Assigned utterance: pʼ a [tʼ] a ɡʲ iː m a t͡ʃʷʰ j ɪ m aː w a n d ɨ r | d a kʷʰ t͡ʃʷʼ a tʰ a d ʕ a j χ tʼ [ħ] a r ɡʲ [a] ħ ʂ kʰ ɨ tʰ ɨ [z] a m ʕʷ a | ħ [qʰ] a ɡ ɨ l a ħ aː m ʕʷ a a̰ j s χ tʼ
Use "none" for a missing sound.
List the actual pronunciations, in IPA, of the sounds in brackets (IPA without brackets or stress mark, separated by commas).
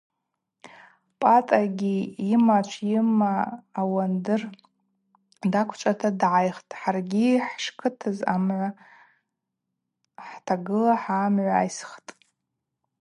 tʼ, ħ, i, z, tʰ